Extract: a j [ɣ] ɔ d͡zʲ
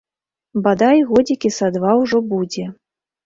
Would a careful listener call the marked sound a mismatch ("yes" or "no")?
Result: no